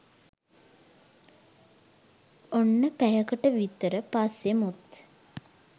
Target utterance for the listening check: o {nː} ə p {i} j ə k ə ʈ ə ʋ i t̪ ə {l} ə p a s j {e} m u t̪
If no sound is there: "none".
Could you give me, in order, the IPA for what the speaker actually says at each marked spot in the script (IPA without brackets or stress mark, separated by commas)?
nː, æ, ɾ, e